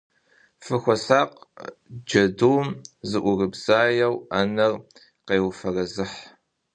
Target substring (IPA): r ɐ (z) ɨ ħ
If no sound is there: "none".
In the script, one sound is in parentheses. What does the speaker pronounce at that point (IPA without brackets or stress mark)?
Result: z